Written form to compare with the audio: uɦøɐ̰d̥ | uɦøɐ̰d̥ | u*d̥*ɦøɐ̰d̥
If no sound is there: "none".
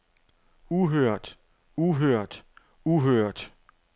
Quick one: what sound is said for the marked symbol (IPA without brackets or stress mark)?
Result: none